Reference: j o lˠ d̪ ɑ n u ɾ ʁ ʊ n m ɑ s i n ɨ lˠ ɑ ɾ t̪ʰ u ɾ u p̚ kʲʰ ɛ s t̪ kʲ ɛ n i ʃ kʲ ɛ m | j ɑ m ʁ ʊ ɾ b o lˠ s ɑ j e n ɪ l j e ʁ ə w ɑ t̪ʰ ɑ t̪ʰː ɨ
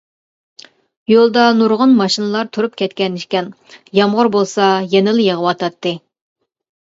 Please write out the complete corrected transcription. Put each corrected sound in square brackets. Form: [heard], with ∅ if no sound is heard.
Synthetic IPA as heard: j o lˠ d̪ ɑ n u ɾ ʁ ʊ n m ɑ [ʃ] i n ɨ lˠ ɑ ɾ t̪ʰ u ɾ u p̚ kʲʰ ɛ [∅] t̪ kʲ ɛ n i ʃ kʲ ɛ [n] | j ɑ m ʁ ʊ ɾ b o lˠ s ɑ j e n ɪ l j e ʁ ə w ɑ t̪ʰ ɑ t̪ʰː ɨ